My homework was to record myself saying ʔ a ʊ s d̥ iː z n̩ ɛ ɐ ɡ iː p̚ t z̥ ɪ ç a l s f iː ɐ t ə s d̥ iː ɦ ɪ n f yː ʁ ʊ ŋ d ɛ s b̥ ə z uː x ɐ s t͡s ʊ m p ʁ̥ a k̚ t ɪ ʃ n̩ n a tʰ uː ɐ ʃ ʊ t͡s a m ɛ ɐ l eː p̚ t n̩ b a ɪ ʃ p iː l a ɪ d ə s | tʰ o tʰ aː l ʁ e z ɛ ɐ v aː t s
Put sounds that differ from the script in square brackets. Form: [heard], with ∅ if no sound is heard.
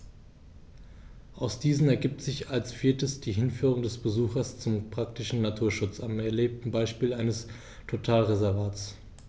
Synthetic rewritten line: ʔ a ʊ s d̥ iː z n̩ ɛ ɐ ɡ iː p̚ t z̥ ɪ ç a l s f iː ɐ t ə s d̥ iː ɦ ɪ n f yː ʁ ʊ ŋ d ɛ s b̥ ə z uː x ɐ s t͡s ʊ m p ʁ̥ a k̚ t ɪ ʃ n̩ n a tʰ uː ɐ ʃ ʊ t͡s a m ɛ ɐ l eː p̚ t n̩ b a ɪ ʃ p iː l a ɪ [n] ə s | tʰ o tʰ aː l ʁ e z ɛ ɐ v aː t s